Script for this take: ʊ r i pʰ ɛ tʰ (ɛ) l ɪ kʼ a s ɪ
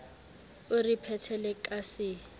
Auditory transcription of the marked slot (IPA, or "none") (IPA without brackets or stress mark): ɛ